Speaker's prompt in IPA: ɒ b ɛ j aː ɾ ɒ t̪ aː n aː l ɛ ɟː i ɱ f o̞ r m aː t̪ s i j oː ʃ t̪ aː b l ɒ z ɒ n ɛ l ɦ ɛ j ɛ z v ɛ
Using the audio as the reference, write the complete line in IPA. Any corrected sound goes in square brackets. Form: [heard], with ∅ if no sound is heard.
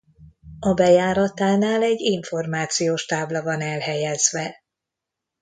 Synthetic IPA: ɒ b ɛ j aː ɾ ɒ t̪ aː n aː l ɛ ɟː i ɱ f o̞ r m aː t̪ s i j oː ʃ t̪ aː b l ɒ [v] ɒ n ɛ l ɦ ɛ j ɛ z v ɛ